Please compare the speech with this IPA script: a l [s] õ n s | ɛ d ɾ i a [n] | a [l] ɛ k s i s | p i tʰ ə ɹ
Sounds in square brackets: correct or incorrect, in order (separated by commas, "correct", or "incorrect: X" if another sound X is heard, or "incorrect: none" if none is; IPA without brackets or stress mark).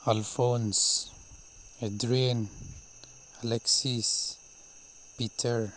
incorrect: f, correct, correct